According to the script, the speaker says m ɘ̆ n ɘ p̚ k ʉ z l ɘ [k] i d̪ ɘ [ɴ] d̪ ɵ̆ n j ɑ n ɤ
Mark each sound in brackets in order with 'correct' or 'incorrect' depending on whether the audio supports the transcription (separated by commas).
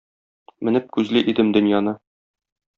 incorrect, incorrect